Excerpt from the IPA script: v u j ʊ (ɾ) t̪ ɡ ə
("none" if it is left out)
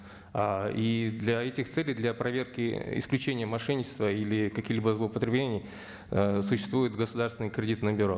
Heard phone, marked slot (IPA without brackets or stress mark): none